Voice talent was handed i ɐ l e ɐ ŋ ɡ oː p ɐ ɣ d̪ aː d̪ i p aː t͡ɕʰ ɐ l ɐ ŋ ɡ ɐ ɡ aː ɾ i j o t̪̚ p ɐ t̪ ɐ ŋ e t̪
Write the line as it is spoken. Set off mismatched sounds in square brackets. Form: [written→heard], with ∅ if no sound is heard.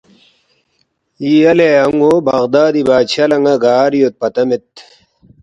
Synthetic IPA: i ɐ l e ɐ ŋ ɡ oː [p→b] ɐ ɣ d̪ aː d̪ i [p→b] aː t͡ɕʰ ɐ l ɐ ŋ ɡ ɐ ɡ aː ɾ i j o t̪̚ p ɐ t̪ ɐ [ŋ→m] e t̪